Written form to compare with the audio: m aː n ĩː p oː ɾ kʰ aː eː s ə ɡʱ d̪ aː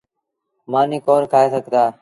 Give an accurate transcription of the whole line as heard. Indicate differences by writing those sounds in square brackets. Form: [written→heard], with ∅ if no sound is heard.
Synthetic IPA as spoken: m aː n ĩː [p→k] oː ɾ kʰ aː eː s ə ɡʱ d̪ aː